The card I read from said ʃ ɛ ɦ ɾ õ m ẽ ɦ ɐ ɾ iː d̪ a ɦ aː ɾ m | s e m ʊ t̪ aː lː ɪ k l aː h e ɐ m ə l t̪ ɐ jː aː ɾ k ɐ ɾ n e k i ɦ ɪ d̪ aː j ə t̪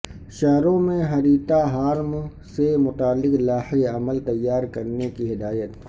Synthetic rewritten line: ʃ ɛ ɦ ɾ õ m ẽ ɦ ɐ ɾ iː t̪ a ɦ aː ɾ m | s e m ʊ t̪ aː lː ɪ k l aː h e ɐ m ə l t̪ ɐ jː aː ɾ k ɐ ɾ n e k i ɦ ɪ d̪ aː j ə t̪